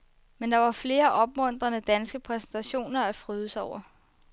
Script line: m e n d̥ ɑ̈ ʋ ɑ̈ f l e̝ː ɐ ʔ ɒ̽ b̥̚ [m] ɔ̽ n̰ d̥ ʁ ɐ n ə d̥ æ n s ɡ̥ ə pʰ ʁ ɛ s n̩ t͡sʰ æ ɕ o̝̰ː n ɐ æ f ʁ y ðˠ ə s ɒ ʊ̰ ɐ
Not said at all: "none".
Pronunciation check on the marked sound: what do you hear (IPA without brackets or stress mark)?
m